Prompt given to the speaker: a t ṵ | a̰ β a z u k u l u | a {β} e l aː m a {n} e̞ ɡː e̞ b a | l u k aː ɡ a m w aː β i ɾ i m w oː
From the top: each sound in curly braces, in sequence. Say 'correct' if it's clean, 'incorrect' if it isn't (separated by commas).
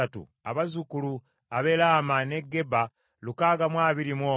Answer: correct, correct